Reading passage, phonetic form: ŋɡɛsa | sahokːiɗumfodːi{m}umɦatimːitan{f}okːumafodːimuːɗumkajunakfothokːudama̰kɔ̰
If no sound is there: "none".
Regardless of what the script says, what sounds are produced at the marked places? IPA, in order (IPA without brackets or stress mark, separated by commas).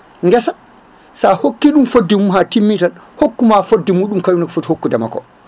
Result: m, h